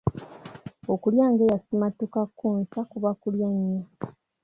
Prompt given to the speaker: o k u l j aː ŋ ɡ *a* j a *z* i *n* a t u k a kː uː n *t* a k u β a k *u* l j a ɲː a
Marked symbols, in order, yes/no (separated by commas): no, no, no, no, yes